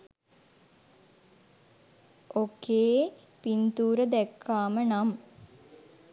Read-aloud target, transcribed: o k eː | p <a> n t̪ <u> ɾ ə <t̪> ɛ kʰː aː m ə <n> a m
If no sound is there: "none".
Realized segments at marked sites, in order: i, uː, d̪, n

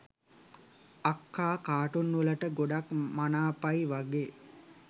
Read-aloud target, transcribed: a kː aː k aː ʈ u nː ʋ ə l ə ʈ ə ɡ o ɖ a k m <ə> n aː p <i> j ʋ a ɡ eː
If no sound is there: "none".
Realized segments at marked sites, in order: a, a

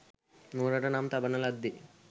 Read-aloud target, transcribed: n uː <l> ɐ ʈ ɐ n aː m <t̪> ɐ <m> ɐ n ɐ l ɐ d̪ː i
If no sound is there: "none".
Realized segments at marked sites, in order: ɾ, t̪, b

